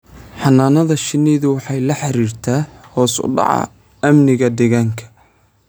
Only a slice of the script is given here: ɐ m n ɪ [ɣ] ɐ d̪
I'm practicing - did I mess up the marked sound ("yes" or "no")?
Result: no